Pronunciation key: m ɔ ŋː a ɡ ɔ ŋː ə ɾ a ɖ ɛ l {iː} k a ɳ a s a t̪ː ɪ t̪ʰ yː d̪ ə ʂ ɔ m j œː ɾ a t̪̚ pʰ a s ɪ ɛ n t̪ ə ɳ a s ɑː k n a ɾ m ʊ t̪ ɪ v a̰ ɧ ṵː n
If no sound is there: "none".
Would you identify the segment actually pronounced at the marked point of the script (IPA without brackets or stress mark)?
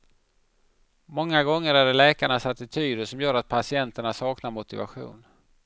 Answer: ɛː